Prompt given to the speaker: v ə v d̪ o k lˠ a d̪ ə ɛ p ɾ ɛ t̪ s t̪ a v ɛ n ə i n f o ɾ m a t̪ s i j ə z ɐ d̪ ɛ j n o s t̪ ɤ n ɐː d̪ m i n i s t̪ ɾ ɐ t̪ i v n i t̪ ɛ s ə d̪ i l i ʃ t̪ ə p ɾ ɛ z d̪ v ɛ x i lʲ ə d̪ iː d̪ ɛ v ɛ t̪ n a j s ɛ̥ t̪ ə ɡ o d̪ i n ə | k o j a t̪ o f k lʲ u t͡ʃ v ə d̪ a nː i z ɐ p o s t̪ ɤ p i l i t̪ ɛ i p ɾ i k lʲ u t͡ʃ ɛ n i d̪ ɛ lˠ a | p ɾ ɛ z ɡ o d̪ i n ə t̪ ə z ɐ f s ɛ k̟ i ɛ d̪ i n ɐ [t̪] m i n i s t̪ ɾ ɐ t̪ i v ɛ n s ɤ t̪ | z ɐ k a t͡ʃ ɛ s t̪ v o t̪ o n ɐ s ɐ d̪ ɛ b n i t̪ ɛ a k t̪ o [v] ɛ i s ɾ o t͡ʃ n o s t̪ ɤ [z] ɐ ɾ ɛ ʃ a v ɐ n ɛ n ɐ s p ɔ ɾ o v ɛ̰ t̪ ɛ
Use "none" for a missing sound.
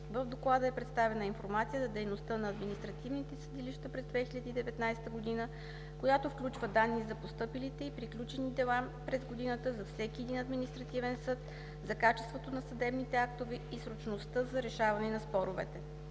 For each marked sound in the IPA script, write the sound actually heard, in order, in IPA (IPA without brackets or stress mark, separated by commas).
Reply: d̪, v, z